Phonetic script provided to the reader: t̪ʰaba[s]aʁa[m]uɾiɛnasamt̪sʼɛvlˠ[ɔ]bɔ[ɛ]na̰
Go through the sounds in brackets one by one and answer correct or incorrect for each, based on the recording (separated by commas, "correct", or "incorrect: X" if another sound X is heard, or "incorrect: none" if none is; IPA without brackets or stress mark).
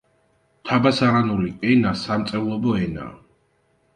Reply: correct, incorrect: n, correct, correct